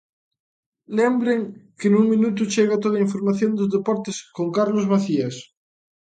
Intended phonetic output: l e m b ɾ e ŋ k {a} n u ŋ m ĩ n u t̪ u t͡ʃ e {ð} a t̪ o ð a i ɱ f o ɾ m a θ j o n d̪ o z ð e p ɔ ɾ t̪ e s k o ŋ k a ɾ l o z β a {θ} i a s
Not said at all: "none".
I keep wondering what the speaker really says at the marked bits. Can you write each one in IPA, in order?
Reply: e, ɣ, θ

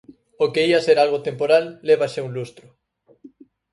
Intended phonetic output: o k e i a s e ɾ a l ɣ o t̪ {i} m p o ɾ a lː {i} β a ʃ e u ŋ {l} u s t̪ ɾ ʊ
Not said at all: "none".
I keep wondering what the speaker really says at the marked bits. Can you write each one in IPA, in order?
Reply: e, e, l

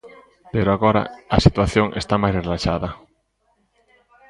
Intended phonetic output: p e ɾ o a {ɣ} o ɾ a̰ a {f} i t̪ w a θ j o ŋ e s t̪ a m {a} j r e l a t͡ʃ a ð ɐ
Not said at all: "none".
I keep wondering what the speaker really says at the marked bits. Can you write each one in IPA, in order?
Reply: ɣ, s, a

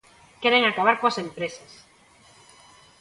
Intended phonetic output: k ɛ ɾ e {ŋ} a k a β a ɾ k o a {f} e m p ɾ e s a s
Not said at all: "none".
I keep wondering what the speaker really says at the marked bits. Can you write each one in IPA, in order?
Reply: ŋ, s

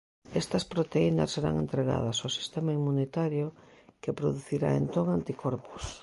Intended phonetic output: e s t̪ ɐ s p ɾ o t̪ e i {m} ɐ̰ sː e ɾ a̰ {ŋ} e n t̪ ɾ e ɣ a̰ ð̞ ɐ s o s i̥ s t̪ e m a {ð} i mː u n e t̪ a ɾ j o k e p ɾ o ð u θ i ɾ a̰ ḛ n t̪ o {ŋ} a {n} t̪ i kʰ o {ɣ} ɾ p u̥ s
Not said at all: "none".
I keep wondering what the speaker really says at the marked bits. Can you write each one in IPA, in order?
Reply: n, ŋ, none, ŋ, n, none

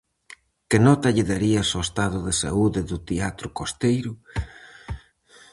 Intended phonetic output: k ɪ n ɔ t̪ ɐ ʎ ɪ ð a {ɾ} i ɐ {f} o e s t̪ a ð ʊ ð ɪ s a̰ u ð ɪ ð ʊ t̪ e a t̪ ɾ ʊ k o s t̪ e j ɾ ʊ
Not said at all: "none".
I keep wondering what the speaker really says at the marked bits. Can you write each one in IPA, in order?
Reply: ɾ, s

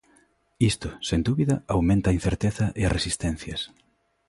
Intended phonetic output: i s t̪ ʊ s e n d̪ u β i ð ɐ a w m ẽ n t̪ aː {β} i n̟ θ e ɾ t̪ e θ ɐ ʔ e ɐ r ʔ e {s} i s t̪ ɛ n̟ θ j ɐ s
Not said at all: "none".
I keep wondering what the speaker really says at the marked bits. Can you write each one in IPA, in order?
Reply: none, s

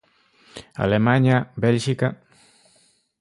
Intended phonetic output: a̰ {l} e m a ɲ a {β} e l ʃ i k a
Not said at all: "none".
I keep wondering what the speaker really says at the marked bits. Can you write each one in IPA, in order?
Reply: l, b

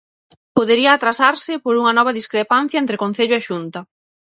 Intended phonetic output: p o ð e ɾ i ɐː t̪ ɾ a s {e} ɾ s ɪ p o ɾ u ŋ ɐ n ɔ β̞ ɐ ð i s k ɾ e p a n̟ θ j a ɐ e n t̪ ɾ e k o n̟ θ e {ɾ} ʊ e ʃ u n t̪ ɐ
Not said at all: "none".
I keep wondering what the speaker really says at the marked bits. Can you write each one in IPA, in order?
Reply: a, ʎ

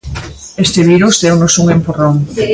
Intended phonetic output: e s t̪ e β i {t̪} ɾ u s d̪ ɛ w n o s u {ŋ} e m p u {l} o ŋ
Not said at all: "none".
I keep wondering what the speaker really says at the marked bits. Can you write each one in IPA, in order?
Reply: none, ŋ, r

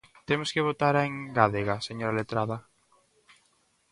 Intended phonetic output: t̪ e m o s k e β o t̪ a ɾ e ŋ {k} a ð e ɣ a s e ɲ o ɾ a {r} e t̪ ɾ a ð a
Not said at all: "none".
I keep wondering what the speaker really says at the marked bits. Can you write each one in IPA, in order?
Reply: ɡ, l

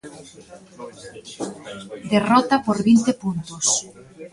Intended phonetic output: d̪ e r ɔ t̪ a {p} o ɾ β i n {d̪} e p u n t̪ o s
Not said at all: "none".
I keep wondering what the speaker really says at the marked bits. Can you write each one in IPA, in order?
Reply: p, t̪

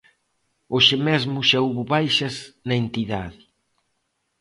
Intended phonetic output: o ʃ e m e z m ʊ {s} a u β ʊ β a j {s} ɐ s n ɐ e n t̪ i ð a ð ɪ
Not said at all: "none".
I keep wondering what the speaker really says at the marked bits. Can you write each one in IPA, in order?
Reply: ʃ, ʃ

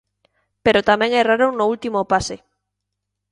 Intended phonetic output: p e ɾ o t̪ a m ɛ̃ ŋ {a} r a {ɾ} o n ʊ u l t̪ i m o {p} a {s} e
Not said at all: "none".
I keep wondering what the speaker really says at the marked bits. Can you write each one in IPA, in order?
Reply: ɛ, ɾ, p, s

